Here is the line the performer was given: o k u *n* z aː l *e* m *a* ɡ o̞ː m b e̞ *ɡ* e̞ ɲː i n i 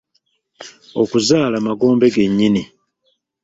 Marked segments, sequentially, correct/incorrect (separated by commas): incorrect, incorrect, correct, correct